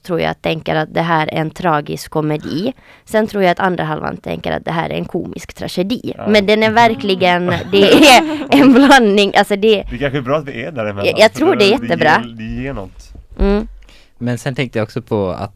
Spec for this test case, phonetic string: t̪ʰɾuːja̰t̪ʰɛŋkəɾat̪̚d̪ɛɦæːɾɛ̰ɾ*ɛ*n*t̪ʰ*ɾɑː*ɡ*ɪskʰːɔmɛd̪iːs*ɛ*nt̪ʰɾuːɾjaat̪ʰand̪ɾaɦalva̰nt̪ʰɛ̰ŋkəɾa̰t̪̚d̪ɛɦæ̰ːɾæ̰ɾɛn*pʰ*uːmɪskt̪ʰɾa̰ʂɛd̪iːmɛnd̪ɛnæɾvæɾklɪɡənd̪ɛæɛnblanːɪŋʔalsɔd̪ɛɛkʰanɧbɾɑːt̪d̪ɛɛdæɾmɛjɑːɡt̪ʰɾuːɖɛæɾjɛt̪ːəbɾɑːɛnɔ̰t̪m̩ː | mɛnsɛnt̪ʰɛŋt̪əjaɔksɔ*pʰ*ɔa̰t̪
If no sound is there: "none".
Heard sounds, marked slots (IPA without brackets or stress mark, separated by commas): ɛ, t̪ʰ, ɡ, ɛ, kʰ, pʰ